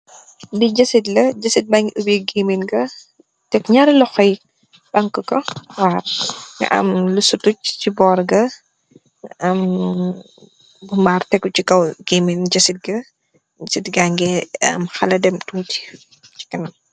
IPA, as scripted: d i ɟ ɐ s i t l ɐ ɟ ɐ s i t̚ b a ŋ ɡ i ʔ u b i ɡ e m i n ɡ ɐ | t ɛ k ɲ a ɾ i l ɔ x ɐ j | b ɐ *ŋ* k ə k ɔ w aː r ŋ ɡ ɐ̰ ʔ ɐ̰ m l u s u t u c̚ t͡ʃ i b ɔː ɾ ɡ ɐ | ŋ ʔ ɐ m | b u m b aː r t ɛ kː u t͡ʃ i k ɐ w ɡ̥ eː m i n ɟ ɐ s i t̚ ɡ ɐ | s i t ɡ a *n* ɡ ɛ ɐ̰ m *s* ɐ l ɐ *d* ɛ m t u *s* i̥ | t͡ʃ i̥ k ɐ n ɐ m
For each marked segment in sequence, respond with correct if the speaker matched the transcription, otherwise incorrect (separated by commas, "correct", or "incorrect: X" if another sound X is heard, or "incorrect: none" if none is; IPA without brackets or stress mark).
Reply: correct, incorrect: ŋ, incorrect: x, correct, incorrect: t